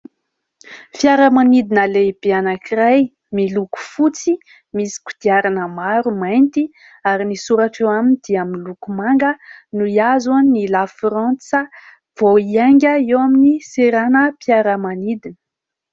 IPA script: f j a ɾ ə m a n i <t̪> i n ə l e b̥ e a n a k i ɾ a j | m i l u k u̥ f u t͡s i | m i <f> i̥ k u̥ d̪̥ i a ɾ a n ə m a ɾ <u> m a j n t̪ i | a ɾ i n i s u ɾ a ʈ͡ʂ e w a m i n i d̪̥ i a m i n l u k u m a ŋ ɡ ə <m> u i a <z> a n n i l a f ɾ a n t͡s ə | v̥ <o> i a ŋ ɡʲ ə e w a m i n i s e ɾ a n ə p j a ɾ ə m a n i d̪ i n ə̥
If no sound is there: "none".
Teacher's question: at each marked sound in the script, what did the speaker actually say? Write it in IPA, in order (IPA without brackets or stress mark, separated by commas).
d̪, s, u, n, z, o